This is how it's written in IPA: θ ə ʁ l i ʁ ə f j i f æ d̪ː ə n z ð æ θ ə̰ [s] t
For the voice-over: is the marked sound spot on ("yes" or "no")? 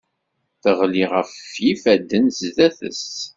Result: yes